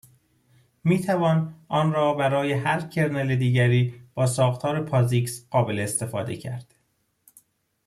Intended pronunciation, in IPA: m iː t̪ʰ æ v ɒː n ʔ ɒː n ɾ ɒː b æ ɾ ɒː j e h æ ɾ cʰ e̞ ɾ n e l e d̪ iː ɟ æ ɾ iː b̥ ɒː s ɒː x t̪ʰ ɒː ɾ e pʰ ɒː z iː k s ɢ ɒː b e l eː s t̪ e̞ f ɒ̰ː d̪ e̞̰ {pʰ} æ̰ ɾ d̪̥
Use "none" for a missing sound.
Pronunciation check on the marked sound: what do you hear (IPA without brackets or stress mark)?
cʰ